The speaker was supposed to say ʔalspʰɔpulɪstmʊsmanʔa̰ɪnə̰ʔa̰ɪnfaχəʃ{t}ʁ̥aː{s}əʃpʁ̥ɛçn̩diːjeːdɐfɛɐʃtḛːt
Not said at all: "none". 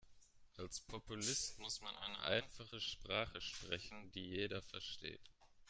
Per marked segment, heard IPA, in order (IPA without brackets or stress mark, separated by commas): p, χ